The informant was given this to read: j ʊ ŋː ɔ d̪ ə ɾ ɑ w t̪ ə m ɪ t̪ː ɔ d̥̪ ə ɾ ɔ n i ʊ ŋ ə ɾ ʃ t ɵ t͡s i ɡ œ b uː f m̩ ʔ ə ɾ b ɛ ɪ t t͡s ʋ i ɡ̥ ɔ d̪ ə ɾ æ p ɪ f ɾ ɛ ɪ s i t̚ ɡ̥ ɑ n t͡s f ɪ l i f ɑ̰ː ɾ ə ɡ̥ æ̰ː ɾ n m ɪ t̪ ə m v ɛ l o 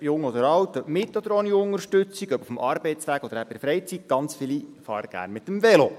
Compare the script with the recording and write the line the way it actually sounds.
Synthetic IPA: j ʊ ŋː ɔ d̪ ə ɾ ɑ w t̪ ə m ɪ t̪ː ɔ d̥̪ ə ɾ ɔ n i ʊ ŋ ə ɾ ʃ t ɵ t͡s i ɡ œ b u f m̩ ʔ ɑ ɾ b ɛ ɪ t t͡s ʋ æ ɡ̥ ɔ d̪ ə ɾ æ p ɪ f ɾ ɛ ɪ t͡s i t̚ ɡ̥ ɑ n t͡s f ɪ l i f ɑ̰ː ɾ ə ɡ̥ æ̰ː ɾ n m ɪ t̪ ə m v ɛ l o